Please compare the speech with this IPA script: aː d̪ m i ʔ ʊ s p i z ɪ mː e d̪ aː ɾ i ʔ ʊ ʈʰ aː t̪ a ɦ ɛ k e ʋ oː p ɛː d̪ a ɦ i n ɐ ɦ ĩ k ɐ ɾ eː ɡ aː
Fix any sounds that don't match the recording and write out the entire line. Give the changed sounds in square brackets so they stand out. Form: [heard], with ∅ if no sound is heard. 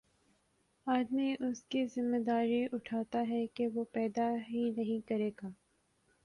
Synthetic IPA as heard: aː d̪ m i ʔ ʊ s [k] i z ɪ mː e d̪ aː ɾ i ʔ ʊ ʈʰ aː t̪ a ɦ ɛ k e ʋ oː p ɛː d̪ a ɦ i n ɐ ɦ ĩ k ɐ ɾ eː ɡ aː